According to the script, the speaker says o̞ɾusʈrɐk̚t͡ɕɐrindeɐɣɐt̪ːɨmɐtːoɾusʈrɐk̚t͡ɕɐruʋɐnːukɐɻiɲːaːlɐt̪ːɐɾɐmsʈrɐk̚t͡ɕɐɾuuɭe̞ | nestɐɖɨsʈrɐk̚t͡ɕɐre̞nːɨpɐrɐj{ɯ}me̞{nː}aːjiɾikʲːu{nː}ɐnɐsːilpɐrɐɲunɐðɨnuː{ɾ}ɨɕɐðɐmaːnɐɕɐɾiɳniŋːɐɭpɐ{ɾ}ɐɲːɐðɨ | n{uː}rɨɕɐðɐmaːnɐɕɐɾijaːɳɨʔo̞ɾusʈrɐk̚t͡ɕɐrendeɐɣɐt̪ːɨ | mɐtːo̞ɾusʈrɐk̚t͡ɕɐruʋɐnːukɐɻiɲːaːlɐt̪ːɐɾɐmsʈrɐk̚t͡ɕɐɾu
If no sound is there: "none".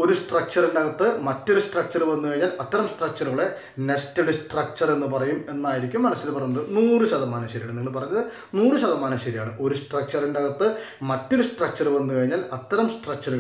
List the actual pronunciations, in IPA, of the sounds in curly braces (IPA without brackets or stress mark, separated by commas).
u, nː, mː, r, r, uː